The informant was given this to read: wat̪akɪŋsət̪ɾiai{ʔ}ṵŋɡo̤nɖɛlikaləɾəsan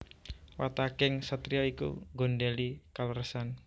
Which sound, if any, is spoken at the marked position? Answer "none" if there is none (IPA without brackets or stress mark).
k